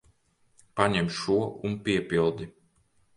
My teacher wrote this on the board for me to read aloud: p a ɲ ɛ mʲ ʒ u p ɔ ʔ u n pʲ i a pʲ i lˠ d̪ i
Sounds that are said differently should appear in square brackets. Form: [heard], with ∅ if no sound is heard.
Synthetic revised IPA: p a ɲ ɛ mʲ [ʃ] u [∅] ɔ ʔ u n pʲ i [ɛ] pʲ i lˠ d̪ i